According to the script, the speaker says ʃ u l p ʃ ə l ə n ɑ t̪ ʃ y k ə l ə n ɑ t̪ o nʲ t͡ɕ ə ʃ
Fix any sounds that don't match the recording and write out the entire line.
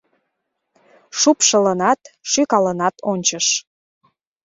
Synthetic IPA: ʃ u p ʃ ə l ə n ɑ t̪ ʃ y k ɑ l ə n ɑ t̪ o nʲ t͡ɕ ə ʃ